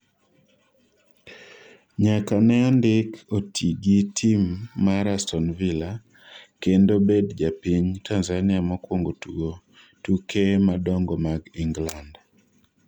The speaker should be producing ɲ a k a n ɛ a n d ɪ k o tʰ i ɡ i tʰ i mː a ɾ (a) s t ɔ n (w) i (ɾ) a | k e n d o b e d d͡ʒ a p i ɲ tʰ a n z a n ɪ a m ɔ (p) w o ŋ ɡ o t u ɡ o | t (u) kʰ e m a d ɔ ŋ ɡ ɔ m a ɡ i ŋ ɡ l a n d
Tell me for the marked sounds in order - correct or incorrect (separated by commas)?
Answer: correct, incorrect, incorrect, incorrect, correct